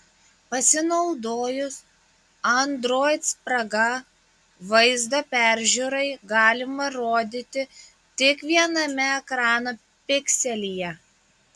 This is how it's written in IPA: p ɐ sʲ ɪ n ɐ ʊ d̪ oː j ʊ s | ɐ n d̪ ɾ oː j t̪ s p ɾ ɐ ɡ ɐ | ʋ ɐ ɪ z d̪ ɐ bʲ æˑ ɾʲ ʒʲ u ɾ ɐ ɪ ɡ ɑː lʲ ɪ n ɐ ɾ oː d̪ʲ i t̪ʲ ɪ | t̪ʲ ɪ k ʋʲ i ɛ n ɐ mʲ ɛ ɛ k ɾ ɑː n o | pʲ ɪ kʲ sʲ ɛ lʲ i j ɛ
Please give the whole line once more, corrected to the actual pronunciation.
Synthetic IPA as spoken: p ɐ sʲ ɪ n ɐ ʊ d̪ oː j ʊ s | ɐ n d̪ ɾ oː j t̪ s p ɾ ɐ ɡ ɐ | ʋ ɐ ɪ z d̪ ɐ pʲ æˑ ɾʲ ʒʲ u ɾ ɐ ɪ ɡ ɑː lʲ ɪ m ɐ ɾ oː d̪ʲ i t̪ʲ ɪ | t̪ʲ ɪ k ʋʲ i ɛ n ɐ mʲ ɛ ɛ k ɾ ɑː n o | pʲ ɪ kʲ sʲ ɛ lʲ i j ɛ

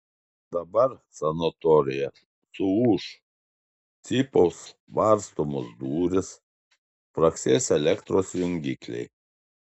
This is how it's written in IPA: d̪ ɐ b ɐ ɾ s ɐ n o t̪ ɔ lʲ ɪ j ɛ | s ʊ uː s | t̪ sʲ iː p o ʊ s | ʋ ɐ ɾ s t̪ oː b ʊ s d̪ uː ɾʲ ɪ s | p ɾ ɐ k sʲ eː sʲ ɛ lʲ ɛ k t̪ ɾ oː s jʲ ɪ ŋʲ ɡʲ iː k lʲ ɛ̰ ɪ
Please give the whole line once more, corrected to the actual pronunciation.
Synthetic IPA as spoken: d̪ ɐ b ɐ ɾ s ɐ n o t̪ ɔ ɾʲ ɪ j ɛ | s ʊ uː ʃ | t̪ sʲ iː p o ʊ s | ʋ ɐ ɾ s t̪ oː m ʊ s d̪ uː ɾʲ ɪ s | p ɾ ɐ k sʲ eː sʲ ɛ lʲ ɛ k t̪ ɾ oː s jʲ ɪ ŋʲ ɡʲ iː k lʲ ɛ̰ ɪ

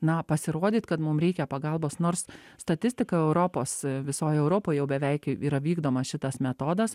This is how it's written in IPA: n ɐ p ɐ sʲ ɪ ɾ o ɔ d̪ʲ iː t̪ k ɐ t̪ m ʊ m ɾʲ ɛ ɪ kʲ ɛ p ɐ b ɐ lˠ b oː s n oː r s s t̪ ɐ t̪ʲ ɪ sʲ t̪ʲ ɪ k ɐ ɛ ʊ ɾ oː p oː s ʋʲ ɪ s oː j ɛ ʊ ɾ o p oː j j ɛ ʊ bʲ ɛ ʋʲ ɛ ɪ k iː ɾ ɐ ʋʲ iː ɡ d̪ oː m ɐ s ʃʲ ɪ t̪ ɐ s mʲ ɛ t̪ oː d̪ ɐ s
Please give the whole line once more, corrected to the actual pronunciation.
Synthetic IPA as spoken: n ɐ p ɐ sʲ ɪ ɾ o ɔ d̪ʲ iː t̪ k ɐ t̪ m ʊ m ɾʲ ɛ ɪ kʲ ɛ p ɐ ɡ ɐ lˠ b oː s n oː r s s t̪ ɐ t̪ʲ ɪ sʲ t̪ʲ ɪ k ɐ ɛ ʊ ɾ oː p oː s ʋʲ ɪ s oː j ɛ ʊ ɾ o p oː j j ɛ ʊ bʲ ɛ ʋʲ ɛ ɪ k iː ɾ ɐ ʋʲ iː ɡ d̪ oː m ɐ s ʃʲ ɪ t̪ ɐ s mʲ ɛ t̪ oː d̪ ɐ s

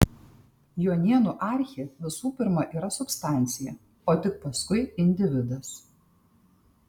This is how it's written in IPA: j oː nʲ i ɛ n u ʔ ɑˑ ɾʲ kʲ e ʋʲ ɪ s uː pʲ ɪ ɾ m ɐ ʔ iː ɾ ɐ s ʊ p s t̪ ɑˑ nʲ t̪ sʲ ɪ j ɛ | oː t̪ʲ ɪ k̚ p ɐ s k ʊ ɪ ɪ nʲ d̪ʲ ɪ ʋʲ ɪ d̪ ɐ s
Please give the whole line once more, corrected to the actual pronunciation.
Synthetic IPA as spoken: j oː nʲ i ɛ n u ʔ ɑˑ ɾʲ xʲ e ʋʲ ɪ s uː pʲ ɪ ɾ m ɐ ʔ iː ɾ ɐ s ʊ p s t̪ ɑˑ nʲ t̪ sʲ ɪ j ɛ | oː t̪ʲ ɪ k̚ p ɐ s k ʊ ɪ ɪ nʲ d̪ʲ ɪ ʋʲ ɪ d̪ ɐ s

